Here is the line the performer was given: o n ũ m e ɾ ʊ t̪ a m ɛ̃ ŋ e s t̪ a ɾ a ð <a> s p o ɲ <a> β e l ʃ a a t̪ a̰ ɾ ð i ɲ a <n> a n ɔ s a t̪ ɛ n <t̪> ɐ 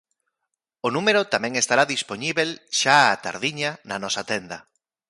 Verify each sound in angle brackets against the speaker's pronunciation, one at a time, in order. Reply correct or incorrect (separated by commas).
incorrect, incorrect, correct, incorrect